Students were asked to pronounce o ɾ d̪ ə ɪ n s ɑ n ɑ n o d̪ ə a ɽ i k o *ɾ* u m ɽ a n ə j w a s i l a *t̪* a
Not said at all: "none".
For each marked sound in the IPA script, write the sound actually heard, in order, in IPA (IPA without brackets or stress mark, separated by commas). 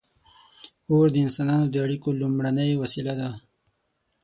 l, d̪